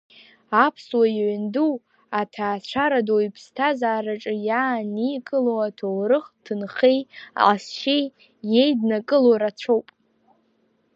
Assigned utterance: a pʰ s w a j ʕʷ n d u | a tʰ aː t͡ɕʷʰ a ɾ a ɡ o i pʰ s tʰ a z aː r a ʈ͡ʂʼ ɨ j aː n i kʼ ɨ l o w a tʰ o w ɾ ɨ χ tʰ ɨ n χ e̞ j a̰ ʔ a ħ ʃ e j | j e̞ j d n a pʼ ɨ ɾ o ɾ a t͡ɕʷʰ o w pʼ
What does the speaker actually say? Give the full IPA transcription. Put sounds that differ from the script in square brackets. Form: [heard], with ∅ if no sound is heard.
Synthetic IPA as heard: a pʰ s w a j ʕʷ n d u | a tʰ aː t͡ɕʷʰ a ɾ a [d] o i pʰ s tʰ a z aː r a ʈ͡ʂʼ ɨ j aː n i kʼ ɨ l o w a tʰ o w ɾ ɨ χ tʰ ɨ n χ e̞ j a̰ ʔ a [s] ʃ e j | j e̞ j d n a [kʼ] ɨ [l] o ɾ a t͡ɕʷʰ o w pʼ

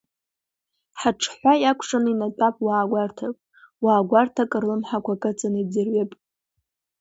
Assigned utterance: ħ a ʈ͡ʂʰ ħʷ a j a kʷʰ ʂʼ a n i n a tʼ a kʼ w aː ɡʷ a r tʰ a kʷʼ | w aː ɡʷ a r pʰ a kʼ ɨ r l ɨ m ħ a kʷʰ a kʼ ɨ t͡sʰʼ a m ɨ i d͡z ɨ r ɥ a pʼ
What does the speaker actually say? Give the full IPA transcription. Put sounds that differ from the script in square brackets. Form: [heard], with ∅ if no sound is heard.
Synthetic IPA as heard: ħ a ʈ͡ʂʰ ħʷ a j a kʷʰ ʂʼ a n i n a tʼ a [pʼ] w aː ɡʷ a r tʰ a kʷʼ | w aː ɡʷ a r [tʰ] a kʼ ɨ r l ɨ m ħ a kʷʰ a kʼ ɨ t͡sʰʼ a [n] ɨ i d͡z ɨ r ɥ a pʼ

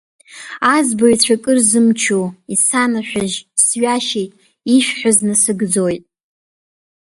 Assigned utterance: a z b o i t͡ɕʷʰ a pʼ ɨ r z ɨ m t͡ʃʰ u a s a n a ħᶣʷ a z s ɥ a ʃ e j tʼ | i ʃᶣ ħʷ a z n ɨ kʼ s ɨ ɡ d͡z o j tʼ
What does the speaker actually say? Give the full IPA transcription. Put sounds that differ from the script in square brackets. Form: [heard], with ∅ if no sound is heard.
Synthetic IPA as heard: a z b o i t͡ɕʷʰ a [kʼ] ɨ r z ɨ m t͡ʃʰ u [i] s a n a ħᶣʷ a [ʒ] s ɥ a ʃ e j tʼ | i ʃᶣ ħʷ a z n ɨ [∅] s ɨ ɡ d͡z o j tʼ

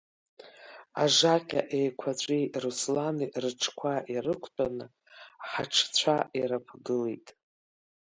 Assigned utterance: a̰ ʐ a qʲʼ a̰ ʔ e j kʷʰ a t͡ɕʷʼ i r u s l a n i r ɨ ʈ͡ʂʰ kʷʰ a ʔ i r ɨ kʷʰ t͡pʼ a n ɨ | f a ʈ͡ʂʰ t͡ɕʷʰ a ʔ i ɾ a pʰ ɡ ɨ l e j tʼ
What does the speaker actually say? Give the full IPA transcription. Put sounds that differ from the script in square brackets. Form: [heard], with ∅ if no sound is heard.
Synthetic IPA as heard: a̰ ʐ a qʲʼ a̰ ʔ e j kʷʰ a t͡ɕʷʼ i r u s l a n i r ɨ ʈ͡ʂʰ kʷʰ a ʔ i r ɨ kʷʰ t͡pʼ a n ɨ | [ħ] a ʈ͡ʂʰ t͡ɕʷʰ a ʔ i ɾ a pʰ ɡ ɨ l e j tʼ

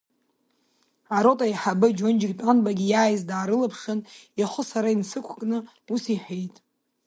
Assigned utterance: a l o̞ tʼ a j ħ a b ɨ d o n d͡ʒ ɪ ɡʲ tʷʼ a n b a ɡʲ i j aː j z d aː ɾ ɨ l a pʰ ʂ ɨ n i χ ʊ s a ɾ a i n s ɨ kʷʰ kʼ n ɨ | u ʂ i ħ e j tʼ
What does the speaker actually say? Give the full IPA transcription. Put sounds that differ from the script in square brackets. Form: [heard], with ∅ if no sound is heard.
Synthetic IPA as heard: a [ɾ] o̞ tʼ a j ħ a b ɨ [d͡ʒ] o n d͡ʒ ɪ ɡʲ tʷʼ a n b a ɡʲ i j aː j z d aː ɾ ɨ l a pʰ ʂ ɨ n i χ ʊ s a ɾ a i n s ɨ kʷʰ kʼ n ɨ | u [s] i ħ e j tʼ

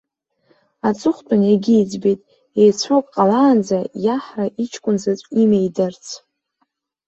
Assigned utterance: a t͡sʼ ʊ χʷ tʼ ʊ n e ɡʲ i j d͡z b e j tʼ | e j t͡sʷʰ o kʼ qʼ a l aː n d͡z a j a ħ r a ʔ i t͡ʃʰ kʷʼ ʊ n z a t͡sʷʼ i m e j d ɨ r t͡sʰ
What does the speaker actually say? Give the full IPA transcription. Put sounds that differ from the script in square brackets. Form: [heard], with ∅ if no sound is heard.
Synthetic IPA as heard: a t͡sʼ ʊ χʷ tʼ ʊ n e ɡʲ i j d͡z b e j tʼ | e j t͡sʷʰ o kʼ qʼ a l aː n d͡z a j a ħ r a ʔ i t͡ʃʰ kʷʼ ʊ n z a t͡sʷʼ i m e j d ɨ r t͡sʰ

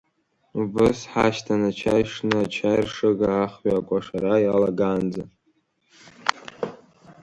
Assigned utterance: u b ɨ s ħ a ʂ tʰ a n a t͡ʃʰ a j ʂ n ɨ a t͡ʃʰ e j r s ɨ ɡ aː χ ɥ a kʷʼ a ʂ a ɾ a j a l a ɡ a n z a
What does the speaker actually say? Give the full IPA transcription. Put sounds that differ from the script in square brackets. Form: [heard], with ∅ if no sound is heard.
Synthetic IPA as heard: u b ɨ s ħ a [ʃ] tʰ a n a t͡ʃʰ a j ʂ n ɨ a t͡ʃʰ [a] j r [ʂ] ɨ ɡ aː χ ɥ a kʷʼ a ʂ a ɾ a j a l a ɡ a n [d͡z] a

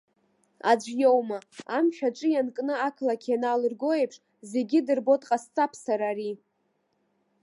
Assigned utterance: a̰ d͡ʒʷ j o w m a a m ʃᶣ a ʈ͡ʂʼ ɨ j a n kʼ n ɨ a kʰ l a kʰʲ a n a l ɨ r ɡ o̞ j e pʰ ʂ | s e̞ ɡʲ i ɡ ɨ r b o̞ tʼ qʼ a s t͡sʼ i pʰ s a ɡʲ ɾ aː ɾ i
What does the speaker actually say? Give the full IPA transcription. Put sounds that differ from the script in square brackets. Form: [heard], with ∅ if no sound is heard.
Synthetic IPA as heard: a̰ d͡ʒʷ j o w m a a m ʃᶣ a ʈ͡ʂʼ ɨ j a n kʼ n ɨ a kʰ l a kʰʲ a n a l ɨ r ɡ o̞ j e pʰ ʂ | [z] e̞ ɡʲ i [d] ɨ r b o̞ tʼ qʼ a s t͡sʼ [a] pʰ s a [∅] ɾ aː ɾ i

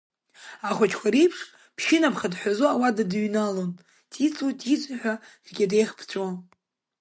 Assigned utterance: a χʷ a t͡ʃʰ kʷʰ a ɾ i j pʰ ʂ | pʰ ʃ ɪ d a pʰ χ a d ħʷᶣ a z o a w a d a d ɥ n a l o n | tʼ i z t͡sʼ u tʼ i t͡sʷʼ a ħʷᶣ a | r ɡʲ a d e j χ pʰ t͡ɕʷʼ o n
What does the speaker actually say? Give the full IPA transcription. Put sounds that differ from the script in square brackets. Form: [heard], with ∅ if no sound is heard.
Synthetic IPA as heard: a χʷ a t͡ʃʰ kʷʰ a ɾ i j pʰ ʂ | pʰ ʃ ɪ [n] a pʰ χ a d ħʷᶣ a z o a w a d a d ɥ n a l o n | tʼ i [∅] t͡sʼ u tʼ i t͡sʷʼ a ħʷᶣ a | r ɡʲ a d e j χ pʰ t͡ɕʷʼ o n

